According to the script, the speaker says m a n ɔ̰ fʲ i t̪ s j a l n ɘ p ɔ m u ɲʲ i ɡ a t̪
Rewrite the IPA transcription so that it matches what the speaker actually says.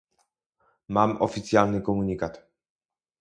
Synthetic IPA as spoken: m a m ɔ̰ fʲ i t̪ s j a l n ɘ k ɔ m u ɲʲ i k a t̪